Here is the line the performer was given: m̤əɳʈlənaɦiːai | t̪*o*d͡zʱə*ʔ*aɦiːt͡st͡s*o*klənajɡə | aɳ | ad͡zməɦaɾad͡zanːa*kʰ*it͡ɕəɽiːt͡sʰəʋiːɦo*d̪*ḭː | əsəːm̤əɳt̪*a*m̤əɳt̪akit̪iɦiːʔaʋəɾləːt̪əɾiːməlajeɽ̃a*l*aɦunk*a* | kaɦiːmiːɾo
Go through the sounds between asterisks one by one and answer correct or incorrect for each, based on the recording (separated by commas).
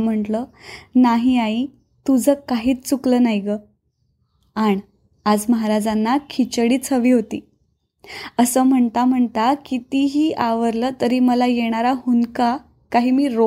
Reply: incorrect, incorrect, incorrect, correct, incorrect, correct, incorrect, correct